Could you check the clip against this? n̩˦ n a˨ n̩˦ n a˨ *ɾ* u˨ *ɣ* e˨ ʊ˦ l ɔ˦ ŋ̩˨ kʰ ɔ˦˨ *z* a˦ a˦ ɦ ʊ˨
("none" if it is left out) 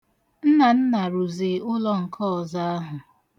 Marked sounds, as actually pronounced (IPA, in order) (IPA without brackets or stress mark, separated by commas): ɾ, z, z